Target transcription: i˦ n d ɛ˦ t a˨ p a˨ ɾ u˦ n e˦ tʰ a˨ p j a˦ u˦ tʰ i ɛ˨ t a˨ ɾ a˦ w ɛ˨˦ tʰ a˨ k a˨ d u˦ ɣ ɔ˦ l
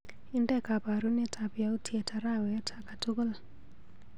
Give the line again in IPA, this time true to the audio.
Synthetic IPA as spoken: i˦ n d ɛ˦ k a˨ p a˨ ɾ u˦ n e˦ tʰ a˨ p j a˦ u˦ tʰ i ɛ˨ t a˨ ɾ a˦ w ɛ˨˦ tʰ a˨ k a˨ t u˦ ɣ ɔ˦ l